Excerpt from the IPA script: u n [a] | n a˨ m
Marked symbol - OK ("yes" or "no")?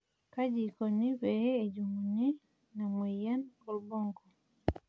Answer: no